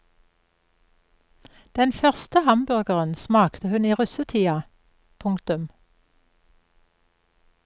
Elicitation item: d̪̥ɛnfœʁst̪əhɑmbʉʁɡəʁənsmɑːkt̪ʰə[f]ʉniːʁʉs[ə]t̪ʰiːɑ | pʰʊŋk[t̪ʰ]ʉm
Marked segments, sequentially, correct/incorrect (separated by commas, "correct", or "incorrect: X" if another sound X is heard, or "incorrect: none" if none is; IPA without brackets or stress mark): incorrect: h, correct, incorrect: t̪